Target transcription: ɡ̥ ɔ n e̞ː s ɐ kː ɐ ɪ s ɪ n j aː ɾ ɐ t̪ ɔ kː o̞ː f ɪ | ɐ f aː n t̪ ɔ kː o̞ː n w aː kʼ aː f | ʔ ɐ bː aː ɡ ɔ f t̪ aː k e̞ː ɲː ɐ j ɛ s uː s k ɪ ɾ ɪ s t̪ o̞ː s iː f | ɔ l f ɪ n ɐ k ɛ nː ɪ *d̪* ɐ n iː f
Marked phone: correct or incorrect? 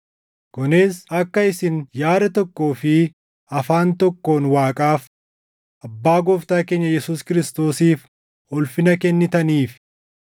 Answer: incorrect